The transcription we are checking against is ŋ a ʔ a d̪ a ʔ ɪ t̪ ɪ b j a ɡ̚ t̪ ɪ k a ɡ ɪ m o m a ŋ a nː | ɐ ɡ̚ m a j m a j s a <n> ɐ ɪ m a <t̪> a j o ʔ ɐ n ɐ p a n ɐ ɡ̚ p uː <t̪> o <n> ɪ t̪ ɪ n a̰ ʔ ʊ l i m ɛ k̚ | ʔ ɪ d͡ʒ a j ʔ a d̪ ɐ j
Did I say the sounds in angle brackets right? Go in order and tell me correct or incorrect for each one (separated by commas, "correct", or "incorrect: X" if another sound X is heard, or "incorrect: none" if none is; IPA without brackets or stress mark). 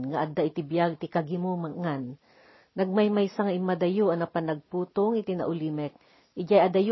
incorrect: ŋ, incorrect: d̪, correct, incorrect: ŋ